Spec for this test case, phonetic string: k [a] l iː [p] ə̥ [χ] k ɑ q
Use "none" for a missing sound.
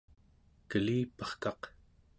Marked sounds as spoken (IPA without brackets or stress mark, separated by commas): ə, p, χ